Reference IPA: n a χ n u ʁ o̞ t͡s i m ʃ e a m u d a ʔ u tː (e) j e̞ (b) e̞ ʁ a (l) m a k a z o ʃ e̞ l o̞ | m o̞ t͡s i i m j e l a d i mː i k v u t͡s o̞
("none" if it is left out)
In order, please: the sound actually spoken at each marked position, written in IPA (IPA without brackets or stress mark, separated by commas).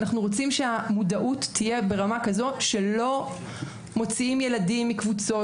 i, b, none